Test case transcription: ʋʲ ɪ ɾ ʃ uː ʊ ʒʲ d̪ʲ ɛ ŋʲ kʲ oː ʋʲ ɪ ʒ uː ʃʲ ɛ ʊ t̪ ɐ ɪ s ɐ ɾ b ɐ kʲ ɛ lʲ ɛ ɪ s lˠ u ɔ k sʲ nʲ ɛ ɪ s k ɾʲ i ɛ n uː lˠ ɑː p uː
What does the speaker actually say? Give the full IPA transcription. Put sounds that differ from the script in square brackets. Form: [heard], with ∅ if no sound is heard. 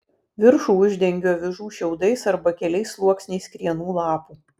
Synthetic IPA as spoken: ʋʲ ɪ ɾ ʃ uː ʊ ʒʲ d̪ʲ ɛ ŋʲ [ɡʲ] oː ʋʲ ɪ ʒ uː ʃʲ ɛ ʊ [d̪] ɐ ɪ s ɐ ɾ b ɐ kʲ ɛ lʲ ɛ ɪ s lˠ u ɔ k sʲ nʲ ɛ ɪ s k ɾʲ i ɛ n uː lˠ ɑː p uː